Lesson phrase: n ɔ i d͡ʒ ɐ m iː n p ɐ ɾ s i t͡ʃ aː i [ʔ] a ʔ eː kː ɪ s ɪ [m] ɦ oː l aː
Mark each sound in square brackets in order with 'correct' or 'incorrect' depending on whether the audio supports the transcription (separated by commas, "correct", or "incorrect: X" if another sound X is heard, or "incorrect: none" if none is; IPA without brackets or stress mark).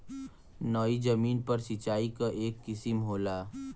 incorrect: k, correct